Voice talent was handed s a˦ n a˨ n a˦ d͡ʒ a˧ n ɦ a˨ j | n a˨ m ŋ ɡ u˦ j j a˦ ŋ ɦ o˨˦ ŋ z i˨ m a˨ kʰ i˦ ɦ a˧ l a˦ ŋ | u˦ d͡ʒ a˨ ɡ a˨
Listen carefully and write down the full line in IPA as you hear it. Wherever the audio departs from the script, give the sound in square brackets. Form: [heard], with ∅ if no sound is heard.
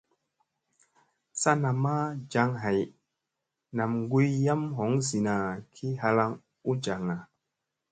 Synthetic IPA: s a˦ n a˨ [m] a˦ d͡ʒ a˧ [ŋ] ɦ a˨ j | n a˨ m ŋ ɡ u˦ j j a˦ [m] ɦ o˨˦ ŋ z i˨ [n] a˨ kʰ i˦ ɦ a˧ l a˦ ŋ | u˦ d͡ʒ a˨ [ŋ] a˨